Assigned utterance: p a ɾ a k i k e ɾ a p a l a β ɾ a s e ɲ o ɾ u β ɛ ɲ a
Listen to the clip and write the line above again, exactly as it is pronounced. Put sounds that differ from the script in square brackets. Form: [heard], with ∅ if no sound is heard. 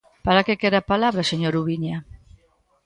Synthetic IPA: p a ɾ a k [e] k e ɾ a p a l a β ɾ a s e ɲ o ɾ u β [i] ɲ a